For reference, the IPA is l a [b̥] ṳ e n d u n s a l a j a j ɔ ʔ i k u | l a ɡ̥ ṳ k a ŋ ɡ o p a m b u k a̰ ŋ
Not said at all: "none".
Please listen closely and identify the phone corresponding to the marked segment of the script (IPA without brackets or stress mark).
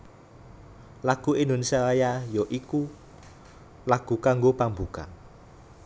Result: ɡ̥